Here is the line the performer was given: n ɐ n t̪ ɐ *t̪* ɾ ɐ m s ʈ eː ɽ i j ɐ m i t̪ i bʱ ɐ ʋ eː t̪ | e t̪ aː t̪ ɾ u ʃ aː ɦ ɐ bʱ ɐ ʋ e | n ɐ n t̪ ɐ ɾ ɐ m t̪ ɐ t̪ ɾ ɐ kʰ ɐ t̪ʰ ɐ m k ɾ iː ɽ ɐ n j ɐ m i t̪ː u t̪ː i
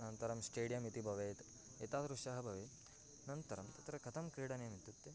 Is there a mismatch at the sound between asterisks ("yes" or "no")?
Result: yes